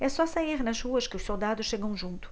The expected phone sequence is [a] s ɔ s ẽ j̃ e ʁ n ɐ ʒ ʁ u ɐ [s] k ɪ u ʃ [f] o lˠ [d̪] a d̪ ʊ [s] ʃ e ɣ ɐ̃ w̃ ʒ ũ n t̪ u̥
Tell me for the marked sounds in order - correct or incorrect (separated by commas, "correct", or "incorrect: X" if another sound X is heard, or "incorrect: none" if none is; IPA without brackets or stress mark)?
incorrect: ɛ, incorrect: ʃ, incorrect: s, correct, incorrect: ʃ